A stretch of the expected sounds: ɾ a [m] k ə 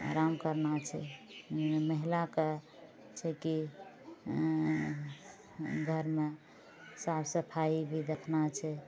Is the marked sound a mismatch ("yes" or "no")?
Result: no